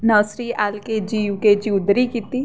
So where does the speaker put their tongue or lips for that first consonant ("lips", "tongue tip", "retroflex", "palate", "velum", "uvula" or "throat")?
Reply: tongue tip